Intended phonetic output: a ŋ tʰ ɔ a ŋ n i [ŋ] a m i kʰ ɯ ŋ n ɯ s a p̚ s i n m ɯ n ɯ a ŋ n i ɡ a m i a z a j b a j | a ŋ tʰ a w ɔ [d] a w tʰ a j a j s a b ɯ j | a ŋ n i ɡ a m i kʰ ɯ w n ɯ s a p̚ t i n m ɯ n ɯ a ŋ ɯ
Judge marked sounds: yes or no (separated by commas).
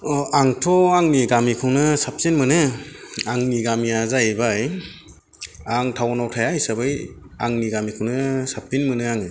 no, no